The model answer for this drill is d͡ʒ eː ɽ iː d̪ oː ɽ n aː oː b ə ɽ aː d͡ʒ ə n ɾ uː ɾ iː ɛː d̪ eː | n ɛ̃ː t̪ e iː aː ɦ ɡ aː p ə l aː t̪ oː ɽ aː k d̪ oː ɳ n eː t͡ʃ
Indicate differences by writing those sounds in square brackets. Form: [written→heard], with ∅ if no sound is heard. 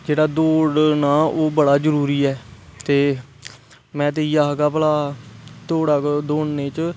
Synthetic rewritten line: d͡ʒ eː ɽ [iː→aː] d̪ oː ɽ n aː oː b ə ɽ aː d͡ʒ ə [n→∅] ɾ uː ɾ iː ɛː [d̪→t̪] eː | [n→m] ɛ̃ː t̪ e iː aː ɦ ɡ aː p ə l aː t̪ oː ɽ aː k d̪ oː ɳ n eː t͡ʃ